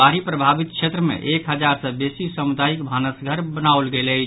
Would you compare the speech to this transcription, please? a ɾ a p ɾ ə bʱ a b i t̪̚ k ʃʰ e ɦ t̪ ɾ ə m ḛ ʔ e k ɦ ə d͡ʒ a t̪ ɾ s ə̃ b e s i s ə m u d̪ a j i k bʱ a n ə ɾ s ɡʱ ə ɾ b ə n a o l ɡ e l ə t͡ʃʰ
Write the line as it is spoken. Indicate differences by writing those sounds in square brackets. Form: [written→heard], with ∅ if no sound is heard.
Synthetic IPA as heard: a ɾ [a→i] p ɾ ə bʱ a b i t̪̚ k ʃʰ e [ɦ→∅] t̪ ɾ ə m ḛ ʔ e k ɦ ə d͡ʒ a [t̪→∅] ɾ s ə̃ b e s i s ə m u d̪ a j i k bʱ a n ə [ɾ→∅] s ɡʱ ə ɾ b ə n a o l ɡ e l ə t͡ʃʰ